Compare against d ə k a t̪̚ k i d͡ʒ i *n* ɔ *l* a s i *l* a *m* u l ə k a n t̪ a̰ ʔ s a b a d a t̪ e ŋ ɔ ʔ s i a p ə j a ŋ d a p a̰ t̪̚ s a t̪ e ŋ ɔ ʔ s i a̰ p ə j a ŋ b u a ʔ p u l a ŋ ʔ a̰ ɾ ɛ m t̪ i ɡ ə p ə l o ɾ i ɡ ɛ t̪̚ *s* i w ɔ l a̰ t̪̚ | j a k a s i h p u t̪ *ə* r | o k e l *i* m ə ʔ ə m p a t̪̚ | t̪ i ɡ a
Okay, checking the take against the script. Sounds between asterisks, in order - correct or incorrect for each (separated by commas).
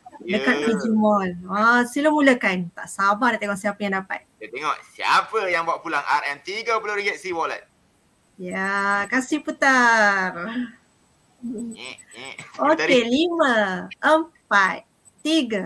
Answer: incorrect, correct, correct, correct, correct, incorrect, correct